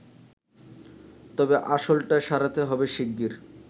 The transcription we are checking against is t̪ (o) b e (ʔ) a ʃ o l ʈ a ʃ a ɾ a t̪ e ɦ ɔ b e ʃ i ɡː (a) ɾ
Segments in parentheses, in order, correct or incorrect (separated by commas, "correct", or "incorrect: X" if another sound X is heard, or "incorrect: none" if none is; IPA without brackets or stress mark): incorrect: ɔ, correct, incorrect: i